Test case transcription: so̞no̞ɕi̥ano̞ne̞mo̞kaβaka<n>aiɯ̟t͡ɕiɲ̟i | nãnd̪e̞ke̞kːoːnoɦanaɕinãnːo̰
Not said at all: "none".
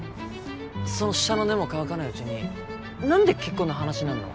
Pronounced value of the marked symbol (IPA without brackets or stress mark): n